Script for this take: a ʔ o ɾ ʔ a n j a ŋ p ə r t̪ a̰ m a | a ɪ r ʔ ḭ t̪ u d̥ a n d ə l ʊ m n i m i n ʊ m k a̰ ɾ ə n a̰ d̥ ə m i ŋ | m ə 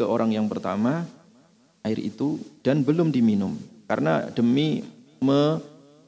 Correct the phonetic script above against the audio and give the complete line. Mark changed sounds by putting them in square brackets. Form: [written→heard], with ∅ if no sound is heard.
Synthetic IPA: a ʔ o ɾ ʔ a [n→ŋ] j a ŋ p ə r t̪ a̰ m a | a ɪ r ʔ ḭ t̪ u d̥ a n [d→b] ə l ʊ m [n→d] i m i n ʊ m k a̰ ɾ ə n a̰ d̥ ə m i [ŋ→∅] | m ə